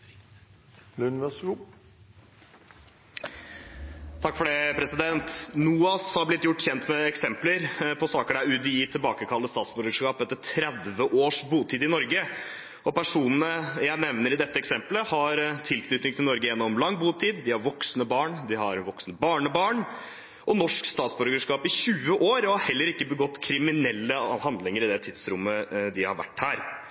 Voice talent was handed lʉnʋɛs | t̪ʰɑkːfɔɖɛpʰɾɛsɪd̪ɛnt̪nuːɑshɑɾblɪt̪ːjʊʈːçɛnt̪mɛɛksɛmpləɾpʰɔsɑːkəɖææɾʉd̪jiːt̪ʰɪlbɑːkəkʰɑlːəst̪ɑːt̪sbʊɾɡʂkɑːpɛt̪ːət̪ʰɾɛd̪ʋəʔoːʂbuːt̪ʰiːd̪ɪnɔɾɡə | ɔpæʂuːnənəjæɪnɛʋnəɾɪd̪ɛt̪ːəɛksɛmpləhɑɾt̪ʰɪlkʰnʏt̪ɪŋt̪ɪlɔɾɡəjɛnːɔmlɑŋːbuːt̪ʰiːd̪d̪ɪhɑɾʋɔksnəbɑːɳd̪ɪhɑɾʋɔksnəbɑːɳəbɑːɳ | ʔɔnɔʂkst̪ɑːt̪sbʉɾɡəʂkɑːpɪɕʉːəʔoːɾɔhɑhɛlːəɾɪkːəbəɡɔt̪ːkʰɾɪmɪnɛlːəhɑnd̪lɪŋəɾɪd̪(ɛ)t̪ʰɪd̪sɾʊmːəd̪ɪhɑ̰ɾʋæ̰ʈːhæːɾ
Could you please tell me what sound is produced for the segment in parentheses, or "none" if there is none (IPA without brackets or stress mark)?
ɛ